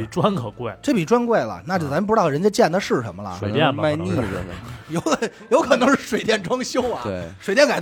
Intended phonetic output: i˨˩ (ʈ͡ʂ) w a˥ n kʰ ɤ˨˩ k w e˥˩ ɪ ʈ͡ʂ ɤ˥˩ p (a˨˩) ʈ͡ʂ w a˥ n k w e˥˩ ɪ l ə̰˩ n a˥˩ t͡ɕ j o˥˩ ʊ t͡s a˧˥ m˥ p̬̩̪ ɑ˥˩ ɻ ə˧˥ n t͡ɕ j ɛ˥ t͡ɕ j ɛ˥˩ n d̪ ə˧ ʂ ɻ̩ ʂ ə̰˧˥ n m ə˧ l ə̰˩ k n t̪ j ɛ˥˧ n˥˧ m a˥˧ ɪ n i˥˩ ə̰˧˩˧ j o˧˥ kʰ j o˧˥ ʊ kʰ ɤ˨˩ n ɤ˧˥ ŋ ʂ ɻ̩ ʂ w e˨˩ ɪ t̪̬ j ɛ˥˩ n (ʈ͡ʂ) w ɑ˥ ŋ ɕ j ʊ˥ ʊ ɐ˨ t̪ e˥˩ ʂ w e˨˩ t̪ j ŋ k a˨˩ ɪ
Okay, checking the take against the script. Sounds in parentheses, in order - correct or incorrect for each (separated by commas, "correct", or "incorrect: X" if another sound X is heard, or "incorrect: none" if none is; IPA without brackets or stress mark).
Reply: correct, incorrect: i˨˩, correct